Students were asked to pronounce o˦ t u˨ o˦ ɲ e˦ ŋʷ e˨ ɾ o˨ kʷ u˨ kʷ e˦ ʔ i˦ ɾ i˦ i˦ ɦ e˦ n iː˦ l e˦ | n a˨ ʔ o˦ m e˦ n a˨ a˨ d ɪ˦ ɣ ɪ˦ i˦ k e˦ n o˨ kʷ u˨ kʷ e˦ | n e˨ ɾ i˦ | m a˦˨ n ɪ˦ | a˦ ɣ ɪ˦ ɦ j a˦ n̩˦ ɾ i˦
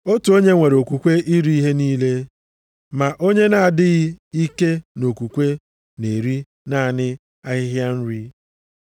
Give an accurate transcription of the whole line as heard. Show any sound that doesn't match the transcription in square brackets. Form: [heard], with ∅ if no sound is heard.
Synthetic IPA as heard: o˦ t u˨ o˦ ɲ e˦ ŋʷ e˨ ɾ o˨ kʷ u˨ kʷ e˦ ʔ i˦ ɾ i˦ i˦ ɦ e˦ n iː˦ l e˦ | [m] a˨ ʔ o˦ [ɲ] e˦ n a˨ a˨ d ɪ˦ ɣ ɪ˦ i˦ k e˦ n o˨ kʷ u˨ kʷ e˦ | n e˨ ɾ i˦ | [n] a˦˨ n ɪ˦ | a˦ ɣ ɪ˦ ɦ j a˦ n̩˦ ɾ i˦